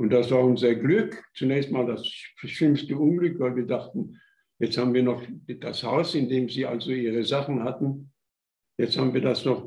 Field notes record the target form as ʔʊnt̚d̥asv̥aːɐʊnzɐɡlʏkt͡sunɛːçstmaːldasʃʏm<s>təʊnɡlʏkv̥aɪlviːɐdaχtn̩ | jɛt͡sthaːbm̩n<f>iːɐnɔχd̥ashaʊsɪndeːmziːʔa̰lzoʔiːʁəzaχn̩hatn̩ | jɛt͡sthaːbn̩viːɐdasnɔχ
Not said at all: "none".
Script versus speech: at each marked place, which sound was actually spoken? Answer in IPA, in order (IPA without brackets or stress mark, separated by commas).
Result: s, v